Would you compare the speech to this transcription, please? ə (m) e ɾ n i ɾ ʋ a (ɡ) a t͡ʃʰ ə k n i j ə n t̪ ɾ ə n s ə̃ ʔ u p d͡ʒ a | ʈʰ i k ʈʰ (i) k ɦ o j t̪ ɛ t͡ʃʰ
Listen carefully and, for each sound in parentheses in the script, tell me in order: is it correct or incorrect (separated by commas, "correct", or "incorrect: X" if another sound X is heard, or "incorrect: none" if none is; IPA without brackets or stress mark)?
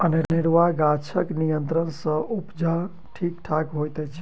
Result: incorrect: n, correct, incorrect: a